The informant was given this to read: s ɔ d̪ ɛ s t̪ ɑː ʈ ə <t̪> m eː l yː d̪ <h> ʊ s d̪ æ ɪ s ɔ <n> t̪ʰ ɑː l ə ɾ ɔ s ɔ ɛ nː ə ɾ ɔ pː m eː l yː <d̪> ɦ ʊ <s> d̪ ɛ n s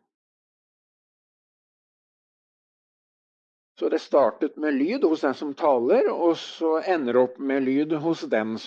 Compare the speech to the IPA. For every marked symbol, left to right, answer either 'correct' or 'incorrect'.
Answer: correct, correct, incorrect: m, correct, correct

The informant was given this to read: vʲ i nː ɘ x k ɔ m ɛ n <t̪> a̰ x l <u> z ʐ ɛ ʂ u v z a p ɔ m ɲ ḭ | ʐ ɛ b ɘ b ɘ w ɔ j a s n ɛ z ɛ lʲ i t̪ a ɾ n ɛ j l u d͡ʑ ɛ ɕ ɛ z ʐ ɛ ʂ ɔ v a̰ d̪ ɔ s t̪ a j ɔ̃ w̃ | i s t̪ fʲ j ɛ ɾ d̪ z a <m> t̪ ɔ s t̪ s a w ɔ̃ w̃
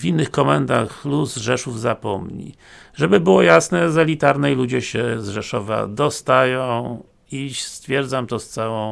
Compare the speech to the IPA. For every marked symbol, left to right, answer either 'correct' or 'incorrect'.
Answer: incorrect: d̪, correct, correct

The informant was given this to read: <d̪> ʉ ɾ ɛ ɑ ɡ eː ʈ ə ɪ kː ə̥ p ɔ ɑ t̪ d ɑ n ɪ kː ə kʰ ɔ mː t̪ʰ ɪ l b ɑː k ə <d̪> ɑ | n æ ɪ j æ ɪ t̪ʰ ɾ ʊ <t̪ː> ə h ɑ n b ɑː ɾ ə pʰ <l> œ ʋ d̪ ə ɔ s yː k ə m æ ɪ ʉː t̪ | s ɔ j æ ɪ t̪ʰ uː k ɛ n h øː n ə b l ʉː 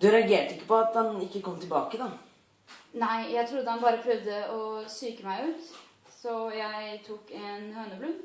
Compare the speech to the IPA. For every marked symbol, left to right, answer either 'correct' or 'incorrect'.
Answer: correct, correct, incorrect: d̪ː, incorrect: ɾ

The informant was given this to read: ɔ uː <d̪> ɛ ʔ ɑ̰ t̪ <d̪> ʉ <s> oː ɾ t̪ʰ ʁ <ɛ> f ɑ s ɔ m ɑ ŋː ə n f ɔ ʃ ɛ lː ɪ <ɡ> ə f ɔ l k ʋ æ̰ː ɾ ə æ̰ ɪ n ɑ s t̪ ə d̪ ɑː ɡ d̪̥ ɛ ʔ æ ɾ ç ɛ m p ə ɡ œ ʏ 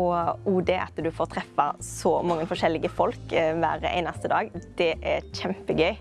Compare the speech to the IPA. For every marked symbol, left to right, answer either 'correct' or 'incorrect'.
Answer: correct, correct, incorrect: f, correct, correct

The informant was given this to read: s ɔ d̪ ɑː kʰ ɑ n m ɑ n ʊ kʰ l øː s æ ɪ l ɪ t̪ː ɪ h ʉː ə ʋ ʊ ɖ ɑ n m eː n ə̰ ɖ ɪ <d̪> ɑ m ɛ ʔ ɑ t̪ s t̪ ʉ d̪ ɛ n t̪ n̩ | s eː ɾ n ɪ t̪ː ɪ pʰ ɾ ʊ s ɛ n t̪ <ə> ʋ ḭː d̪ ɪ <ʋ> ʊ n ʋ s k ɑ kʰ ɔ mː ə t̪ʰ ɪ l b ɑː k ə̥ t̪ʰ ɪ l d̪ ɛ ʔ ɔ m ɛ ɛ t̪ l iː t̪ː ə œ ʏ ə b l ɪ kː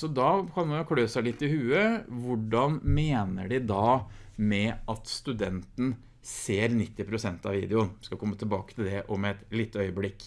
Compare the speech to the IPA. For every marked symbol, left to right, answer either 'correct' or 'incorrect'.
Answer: correct, incorrect: ɑ, incorrect: none

